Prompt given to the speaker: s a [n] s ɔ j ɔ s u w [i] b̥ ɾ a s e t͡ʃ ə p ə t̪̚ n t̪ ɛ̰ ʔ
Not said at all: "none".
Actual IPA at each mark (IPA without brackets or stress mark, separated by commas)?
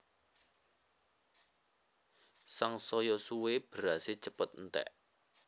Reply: ŋ, e